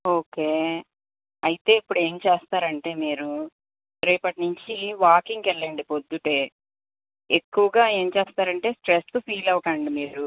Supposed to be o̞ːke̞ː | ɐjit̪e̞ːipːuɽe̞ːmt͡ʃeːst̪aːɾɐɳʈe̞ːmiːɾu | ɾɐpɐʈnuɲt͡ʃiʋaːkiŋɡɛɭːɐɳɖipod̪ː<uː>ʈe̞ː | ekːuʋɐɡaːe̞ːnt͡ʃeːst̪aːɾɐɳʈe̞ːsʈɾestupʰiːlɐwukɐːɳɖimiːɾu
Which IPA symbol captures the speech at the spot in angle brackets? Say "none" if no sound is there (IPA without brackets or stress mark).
u